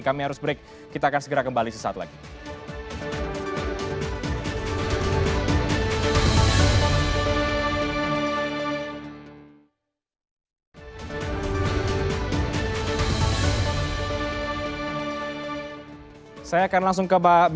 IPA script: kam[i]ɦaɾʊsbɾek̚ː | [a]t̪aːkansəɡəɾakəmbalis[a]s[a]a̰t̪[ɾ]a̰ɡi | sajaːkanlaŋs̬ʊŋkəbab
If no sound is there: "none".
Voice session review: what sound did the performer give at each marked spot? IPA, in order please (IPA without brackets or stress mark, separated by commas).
i, i, ə, a, l